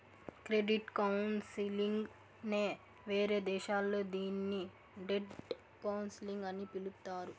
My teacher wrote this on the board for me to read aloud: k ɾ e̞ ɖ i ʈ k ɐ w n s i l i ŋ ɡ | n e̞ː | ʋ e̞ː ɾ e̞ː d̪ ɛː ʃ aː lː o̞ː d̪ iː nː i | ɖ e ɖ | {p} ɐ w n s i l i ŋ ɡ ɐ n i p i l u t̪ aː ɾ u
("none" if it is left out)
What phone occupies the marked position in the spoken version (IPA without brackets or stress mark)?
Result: k